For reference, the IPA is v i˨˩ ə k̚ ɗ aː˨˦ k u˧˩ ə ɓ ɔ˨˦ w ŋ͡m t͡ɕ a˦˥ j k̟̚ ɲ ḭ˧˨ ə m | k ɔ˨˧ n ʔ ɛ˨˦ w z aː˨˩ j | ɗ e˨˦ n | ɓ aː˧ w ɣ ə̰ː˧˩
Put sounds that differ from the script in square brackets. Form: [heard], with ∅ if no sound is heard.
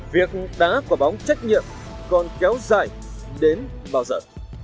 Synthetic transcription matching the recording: v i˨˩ ə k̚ ɗ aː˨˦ k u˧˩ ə ɓ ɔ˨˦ w ŋ͡m t͡ɕ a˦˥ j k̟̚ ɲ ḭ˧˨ ə m | k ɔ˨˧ n [k] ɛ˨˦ w z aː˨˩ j | ɗ e˨˦ n | ɓ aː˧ w [z] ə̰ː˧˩